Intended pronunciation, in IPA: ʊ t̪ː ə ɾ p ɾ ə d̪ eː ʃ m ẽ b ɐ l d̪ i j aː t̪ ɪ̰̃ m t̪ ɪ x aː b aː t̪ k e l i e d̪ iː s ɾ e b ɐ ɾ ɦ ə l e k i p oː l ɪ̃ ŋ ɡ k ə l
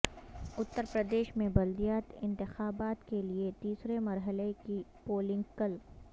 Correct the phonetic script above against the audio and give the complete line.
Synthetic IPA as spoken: ʊ t̪ː ə ɾ p ɾ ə d̪ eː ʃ m ẽ b ɐ l d̪ i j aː t̪ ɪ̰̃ n t̪ ɪ x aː b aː t̪ k e l i e t̪ iː s ɾ e m ɐ ɾ ɦ ə l e k i p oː l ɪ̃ ŋ ɡ k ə l